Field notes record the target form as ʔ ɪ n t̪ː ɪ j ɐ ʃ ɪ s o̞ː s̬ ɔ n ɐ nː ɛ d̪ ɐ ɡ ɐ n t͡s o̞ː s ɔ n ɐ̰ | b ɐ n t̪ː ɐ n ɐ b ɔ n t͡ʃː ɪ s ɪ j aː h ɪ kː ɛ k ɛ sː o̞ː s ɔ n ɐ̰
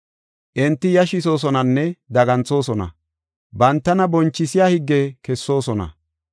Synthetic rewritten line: ʔ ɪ n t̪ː ɪ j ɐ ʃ ɪ s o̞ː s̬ ɔ n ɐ nː ɛ d̪ ɐ ɡ ɐ n t͡s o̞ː s ɔ n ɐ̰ | b ɐ n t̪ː ɐ n ɐ b ɔ n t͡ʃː ɪ s ɪ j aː h ɪ ɡː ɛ k ɛ sː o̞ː s ɔ n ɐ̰